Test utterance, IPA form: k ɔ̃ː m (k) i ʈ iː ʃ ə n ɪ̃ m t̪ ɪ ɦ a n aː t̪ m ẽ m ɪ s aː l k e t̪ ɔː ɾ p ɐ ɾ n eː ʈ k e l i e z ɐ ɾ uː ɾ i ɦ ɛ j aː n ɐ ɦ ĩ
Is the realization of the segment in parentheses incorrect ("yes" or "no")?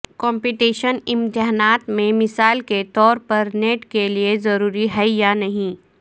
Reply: yes